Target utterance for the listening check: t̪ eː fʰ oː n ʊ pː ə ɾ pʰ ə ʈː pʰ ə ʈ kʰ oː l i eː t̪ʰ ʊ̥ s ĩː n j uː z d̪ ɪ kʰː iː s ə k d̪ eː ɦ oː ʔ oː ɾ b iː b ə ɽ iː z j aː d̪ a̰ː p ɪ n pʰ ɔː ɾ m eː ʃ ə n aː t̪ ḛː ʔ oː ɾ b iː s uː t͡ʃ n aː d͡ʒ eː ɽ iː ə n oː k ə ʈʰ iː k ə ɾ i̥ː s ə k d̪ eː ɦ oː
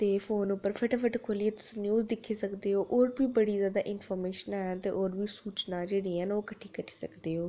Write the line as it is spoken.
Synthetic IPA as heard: t̪ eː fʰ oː n ʊ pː ə ɾ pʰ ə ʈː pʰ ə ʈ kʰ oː l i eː t̪ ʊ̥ s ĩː n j uː z d̪ ɪ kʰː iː s ə k d̪ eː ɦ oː ʔ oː ɾ b iː b ə ɽ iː z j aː d̪ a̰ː ʔ ɪ n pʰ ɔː ɾ m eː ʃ ə n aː t̪ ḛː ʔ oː ɾ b iː s uː t͡ʃ n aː d͡ʒ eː ɽ iː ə n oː k ə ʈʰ iː k ə ɾ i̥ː s ə k d̪ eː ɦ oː